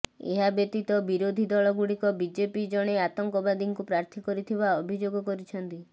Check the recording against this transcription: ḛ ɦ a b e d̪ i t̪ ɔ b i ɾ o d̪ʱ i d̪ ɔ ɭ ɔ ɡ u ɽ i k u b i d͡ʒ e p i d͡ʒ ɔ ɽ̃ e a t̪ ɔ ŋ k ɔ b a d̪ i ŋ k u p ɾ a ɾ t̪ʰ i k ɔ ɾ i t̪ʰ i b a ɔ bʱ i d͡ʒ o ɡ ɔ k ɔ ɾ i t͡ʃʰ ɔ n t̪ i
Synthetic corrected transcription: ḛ ɦ a b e t̪ i t̪ ɔ b i ɾ o d̪ʱ i d̪ ɔ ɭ ɔ ɡ u ɽ i k ɔ b i d͡ʒ e p i d͡ʒ ɔ ɽ̃ e a t̪ ɔ ŋ k ɔ b a d̪ i ŋ k u p ɾ a ɾ t̪ʰ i k ɔ ɾ i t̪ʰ i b a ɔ bʱ i d͡ʒ o ɡ ɔ k ɔ ɾ i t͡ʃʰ ɔ n t̪ i